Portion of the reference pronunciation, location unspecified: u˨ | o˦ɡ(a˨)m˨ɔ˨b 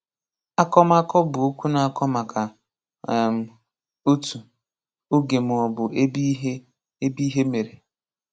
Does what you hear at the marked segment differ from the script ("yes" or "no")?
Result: yes